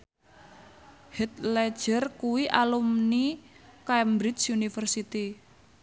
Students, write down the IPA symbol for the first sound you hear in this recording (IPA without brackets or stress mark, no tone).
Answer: h